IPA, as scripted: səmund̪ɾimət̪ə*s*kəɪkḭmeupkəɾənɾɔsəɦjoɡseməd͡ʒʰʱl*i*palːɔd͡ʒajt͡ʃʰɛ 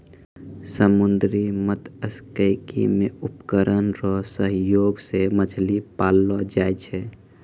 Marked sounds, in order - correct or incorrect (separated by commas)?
correct, correct